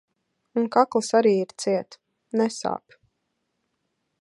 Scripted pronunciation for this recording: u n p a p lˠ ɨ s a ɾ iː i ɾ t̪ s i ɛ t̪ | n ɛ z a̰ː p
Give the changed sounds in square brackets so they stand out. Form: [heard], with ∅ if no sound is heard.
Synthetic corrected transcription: u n [k] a [k] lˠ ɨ s a ɾ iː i ɾ t̪ s i ɛ t̪ | n ɛ [s] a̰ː p